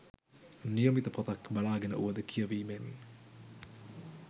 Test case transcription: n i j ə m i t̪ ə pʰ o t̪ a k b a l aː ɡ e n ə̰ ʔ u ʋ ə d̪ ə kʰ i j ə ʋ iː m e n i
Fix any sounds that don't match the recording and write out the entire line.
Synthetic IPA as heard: n i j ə m i t̪ ə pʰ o t̪ a k b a l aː ɡ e n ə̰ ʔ u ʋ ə d̪ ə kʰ i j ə ʋ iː m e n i